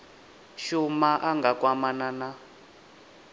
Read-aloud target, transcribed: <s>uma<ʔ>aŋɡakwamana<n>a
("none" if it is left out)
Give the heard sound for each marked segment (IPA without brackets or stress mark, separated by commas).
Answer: ʃ, ʔ, n